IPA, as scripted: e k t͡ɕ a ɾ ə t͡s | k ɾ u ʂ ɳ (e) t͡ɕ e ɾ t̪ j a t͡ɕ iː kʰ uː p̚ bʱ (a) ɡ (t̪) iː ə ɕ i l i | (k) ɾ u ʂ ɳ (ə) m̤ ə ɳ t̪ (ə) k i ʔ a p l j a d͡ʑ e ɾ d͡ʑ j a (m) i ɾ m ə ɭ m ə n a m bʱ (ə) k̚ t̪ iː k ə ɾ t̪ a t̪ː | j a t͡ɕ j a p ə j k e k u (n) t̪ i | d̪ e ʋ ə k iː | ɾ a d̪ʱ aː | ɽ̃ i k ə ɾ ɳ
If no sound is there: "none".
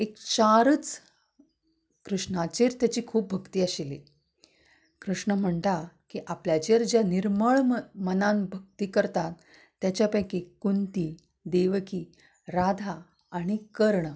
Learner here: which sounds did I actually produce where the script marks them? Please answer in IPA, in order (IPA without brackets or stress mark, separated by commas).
a, ə, t̪, k, ə, a, n, ə, n